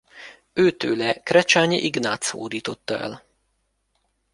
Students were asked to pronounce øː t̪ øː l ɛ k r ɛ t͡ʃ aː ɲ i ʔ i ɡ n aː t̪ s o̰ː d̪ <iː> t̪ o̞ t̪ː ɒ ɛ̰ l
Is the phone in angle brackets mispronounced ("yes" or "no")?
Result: no